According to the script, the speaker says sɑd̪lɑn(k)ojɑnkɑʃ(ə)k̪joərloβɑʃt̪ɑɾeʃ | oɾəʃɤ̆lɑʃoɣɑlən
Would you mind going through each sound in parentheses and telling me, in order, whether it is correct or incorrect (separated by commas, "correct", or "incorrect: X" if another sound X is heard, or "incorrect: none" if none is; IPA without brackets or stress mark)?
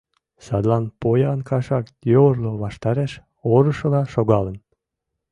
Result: incorrect: p, incorrect: ɑ